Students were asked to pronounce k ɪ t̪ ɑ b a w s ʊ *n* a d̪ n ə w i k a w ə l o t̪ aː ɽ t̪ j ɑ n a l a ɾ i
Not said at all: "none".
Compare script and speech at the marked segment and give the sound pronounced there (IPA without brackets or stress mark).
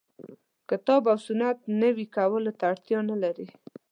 n